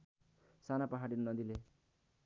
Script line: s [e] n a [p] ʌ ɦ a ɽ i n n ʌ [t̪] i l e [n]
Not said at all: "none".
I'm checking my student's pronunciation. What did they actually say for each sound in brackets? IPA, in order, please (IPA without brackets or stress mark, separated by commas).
a, p, d̪, none